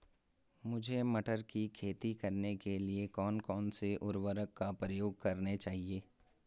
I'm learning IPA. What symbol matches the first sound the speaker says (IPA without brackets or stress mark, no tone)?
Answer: m